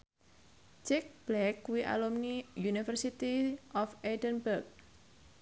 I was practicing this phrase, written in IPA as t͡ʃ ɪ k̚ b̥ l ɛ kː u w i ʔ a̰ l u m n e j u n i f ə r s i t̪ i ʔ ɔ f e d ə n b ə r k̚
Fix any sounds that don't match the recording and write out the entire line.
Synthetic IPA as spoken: t͡ʃ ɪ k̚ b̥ l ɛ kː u w i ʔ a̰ l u m n i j u n i f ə r s i t̪ i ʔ ɔ f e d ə n b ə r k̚